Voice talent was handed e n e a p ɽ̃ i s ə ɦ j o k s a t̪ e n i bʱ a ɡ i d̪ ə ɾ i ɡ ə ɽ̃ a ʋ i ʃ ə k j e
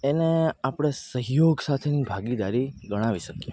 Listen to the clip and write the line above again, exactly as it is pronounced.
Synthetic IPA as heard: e n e a p ɽ̃ e s ə ɦ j o ɡ s a t̪ʰ e n i bʱ a ɡ i d̪ a ɾ i ɡ ə ɽ̃ a ʋ i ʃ ə k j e